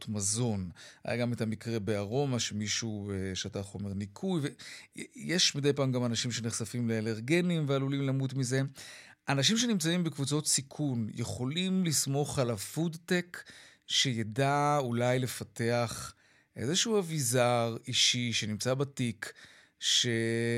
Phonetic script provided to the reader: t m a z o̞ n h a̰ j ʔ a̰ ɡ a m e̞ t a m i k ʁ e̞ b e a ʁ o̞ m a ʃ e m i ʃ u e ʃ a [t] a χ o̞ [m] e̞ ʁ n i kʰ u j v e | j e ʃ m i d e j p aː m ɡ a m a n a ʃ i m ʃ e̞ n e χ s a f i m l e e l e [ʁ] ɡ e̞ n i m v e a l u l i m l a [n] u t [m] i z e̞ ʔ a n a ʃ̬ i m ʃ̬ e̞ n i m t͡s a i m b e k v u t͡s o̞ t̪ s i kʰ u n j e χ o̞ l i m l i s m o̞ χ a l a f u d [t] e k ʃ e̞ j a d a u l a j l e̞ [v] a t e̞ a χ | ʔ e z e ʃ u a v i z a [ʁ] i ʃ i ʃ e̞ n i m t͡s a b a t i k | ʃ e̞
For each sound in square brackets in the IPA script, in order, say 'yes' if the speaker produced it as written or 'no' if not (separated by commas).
yes, yes, yes, no, yes, yes, no, yes